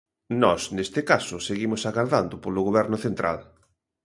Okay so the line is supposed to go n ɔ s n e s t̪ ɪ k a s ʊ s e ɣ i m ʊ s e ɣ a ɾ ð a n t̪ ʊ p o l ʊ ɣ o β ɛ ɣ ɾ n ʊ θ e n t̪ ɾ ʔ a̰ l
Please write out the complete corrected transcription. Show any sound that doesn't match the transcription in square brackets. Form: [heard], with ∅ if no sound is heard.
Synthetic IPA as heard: n ɔ s n e s t̪ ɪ k a s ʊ s e ɣ i m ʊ s [a] ɣ a ɾ ð a n [d̪] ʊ p o l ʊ ɣ o β ɛ [∅] ɾ n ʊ θ e n t̪ ɾ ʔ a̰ l